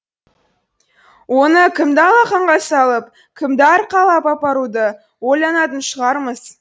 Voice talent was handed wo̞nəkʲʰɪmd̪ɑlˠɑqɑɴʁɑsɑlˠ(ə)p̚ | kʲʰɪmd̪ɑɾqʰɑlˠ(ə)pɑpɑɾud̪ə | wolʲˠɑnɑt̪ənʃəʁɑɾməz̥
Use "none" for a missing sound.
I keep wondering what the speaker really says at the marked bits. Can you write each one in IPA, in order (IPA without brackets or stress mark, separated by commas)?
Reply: ə, ɑ